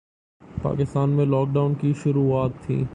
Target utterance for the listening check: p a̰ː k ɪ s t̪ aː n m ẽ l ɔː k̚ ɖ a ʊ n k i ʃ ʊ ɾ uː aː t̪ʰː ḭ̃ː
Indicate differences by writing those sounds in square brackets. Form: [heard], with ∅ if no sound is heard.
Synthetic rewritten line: p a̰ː k ɪ s t̪ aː n m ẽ l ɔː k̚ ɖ a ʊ n k i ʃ ʊ ɾ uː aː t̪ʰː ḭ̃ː